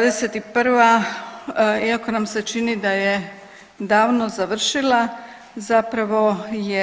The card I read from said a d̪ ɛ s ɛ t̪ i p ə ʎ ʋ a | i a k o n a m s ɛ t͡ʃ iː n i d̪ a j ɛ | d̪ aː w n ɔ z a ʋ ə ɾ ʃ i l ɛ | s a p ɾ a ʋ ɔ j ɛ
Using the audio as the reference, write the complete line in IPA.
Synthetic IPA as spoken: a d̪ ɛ s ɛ t̪ i p ə ɾ ʋ a | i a k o n a m s ɛ t͡ʃ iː n i d̪ a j ɛ | d̪ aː w n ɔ z a ʋ ə ɾ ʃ i l a | z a p ɾ a ʋ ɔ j ɛ